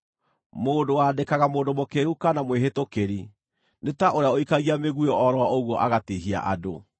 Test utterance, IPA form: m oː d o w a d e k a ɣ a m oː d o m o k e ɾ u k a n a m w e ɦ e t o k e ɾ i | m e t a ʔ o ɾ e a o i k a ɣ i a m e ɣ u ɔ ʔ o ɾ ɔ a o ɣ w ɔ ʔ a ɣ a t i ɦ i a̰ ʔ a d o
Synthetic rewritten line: m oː d o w a d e k a ɣ a m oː d o m o k e ɾ u k a n a m w e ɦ e t o k e ɾ i | n e t a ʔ o ɾ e a o i k a ɣ i a m e ɣ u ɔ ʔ ɔ ɾ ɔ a o ɣ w ɔ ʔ a ɣ a t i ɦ i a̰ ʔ a d o

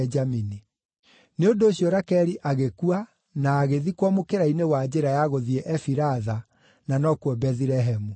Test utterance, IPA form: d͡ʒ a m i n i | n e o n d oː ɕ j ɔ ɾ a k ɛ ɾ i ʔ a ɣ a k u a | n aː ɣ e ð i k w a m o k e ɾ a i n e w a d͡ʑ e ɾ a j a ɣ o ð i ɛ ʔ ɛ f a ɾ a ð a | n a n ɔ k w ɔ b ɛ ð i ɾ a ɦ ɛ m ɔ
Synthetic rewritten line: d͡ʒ a m i n i | n e o n d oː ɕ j ɔ ɾ a k ɛ ɾ i ʔ a ɣ e k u a | n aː ɣ e ð i k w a m o k e ɾ a i n e w a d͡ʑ e ɾ a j a ɣ o ð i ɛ ʔ ɛ f i ɾ a ð a | n a n ɔ k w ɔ b ɛ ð i ɾ ɛ ɦ ɛ m u

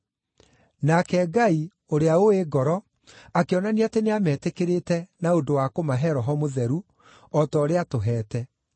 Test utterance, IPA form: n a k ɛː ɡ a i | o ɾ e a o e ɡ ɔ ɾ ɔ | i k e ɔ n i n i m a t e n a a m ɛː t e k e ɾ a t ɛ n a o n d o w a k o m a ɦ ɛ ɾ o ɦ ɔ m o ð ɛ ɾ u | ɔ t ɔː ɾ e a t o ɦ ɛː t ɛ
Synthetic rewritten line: n a k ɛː ɡ a i | o ɾ e a o e ɡ ɔ ɾ ɔ | a k e ɔ n a n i a t e n e a m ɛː t e k e ɾ e t ɛ n a o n d o w a k o m a ɦ ɛ ɾ ɔ ɦ ɔ m o ð ɛ ɾ u | ɔ t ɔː ɾ e a t o ɦ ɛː t ɛ

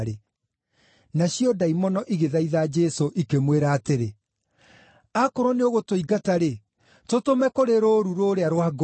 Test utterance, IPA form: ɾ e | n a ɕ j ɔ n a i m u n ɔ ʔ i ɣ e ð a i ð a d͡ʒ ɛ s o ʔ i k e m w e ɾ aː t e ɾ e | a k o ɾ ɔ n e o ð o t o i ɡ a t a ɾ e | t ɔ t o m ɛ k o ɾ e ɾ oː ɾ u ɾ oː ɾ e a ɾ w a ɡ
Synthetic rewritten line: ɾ e | n a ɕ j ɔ d a i m ɔ n ɔ ʔ i ɣ e ð a i ð a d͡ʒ ɛ s o ʔ i k e m w e ɾ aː t e ɾ e | a k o ɾ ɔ n e o ɣ o t o i ɡ a t a ɾ e | t o t o m ɛ k o ɾ e ɾ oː ɾ u ɾ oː ɾ e a ɾ w a ɡ

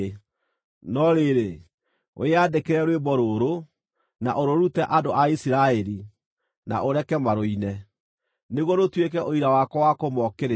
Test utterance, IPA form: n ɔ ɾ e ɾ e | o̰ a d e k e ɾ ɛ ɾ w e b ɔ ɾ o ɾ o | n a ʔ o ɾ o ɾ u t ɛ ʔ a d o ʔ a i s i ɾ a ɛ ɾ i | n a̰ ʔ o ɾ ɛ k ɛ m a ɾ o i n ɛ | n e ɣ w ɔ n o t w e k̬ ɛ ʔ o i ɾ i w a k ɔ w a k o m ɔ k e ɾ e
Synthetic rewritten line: n ɔ ɾ e ɾ e | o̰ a d e k e ɾ ɛ ɾ w e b ɔ ɾ o ɾ o | n a ʔ o ɾ o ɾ u t ɛ ʔ a d o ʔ a i s i ɾ a ɛ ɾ i | n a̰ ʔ o ɾ ɛ k ɛ m a ɾ o i n ɛ | n e ɣ w ɔ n o t w e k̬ ɛ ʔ o i ɾ a w a k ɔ w a k o m ɔ k e ɾ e

